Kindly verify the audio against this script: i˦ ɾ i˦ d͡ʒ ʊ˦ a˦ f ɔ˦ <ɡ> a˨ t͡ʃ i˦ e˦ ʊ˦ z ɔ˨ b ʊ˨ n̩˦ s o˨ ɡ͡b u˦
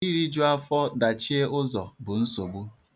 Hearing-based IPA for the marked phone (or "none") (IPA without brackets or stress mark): d